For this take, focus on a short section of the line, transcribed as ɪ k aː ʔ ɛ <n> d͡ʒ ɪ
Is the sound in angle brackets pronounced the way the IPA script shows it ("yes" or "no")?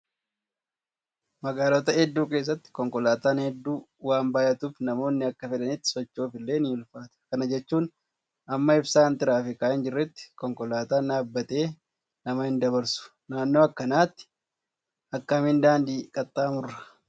yes